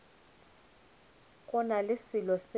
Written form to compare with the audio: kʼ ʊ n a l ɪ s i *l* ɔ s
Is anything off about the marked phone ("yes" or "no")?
no